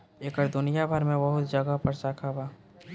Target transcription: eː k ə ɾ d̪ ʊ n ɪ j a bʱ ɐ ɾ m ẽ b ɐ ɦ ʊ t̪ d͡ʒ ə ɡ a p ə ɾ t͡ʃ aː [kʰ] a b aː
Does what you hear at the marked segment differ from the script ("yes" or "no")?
no